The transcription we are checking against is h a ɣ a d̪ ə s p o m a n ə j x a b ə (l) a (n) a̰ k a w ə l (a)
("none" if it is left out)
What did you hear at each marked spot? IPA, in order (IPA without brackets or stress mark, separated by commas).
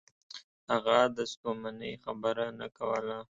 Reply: ɾ, n, a